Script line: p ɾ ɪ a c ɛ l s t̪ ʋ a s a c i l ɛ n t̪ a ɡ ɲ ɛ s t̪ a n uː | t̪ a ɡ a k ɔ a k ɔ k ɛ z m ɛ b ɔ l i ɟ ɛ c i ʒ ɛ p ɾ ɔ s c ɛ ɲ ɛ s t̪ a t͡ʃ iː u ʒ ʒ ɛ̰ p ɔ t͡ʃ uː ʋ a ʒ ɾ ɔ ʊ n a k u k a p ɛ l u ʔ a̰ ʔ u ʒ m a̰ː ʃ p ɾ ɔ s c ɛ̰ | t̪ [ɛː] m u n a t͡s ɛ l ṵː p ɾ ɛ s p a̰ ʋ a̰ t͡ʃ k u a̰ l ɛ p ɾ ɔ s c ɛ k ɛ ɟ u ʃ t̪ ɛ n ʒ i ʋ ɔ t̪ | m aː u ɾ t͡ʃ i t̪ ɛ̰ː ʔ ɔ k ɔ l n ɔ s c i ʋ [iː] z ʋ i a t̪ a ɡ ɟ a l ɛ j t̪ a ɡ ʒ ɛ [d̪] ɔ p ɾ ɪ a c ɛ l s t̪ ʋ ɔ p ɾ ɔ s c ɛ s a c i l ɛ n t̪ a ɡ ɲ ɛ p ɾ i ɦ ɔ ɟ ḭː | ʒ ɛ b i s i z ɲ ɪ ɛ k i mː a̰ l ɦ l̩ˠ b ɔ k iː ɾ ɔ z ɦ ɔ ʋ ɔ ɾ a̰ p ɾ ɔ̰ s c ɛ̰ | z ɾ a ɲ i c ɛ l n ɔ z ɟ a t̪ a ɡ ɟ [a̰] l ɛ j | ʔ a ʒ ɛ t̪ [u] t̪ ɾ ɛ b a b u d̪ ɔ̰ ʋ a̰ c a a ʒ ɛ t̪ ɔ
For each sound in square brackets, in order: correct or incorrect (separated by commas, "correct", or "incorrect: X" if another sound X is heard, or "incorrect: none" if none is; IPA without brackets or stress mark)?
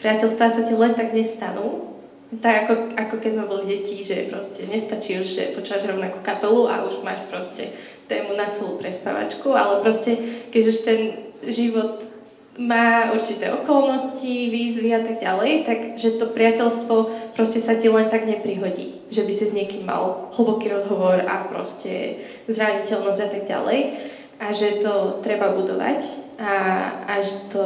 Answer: correct, correct, incorrect: t̪, correct, incorrect: ɔ